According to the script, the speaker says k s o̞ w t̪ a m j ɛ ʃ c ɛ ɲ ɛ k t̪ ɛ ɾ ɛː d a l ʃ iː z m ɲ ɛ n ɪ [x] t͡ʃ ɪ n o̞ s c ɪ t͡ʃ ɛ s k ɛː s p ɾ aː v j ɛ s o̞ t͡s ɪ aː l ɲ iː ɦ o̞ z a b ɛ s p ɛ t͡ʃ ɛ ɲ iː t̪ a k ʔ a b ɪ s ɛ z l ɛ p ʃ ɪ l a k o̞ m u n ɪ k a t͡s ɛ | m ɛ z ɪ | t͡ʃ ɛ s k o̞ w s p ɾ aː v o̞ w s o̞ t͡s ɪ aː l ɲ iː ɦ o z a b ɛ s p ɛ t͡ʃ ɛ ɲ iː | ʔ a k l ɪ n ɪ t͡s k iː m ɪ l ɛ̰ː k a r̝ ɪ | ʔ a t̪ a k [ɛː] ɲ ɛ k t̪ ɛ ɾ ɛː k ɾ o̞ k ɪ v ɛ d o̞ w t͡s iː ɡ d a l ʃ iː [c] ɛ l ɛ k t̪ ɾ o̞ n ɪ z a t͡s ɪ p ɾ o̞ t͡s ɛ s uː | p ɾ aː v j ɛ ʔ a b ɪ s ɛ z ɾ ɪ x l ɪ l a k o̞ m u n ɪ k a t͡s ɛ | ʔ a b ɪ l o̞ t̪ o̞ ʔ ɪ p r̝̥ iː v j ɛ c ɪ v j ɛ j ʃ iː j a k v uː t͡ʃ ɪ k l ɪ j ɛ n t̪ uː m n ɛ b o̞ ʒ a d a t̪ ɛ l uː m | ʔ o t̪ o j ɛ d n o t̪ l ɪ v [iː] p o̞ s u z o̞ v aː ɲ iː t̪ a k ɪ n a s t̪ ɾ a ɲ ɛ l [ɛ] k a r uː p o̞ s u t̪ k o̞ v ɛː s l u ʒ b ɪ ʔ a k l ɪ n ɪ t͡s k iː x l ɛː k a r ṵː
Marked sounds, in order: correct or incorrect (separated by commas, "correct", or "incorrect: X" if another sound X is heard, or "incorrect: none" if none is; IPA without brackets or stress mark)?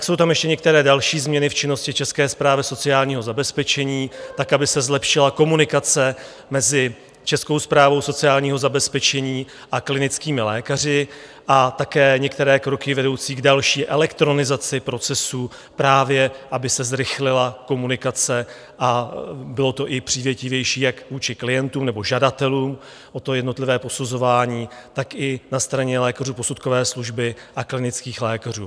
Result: incorrect: f, correct, incorrect: ʔ, incorrect: ɛː, incorrect: ɛː